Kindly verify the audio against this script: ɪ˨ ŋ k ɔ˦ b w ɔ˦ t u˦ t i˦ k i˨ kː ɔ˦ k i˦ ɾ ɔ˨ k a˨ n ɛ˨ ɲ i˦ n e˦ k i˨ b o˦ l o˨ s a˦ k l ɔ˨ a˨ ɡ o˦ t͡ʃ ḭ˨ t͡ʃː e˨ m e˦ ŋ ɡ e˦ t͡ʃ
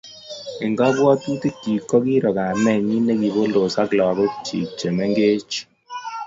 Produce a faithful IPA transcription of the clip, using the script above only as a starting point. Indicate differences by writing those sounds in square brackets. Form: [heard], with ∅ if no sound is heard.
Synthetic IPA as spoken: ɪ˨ ŋ [ɡ] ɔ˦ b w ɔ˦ t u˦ t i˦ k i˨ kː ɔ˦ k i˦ ɾ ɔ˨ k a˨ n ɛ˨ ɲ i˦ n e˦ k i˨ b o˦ l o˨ s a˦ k l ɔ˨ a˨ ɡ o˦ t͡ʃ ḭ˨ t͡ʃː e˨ m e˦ ŋ ɡ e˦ t͡ʃ